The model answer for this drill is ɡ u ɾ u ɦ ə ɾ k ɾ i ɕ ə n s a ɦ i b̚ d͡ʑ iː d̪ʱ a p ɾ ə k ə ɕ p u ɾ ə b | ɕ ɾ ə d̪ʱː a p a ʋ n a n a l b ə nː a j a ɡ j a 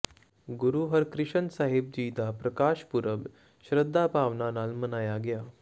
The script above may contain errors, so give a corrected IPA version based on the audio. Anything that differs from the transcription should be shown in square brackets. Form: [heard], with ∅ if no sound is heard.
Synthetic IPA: ɡ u ɾ u ɦ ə ɾ k ɾ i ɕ ə n s a ɦ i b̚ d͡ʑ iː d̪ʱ a p ɾ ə k [a] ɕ p u ɾ ə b | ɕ ɾ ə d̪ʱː a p a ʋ n a n a l [m] ə [n] a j a ɡ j a